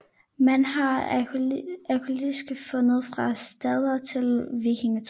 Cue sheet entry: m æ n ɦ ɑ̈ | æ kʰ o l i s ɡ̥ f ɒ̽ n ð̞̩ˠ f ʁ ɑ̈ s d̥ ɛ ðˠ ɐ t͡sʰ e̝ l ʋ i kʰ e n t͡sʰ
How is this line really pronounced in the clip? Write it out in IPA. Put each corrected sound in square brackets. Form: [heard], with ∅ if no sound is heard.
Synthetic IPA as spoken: m æ n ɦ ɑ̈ | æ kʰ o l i s ɡ̥ f [ɔ̽] n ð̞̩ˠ f ʁ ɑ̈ s d̥ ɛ ðˠ ɐ t͡sʰ e̝ l ʋ i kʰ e [ŋ] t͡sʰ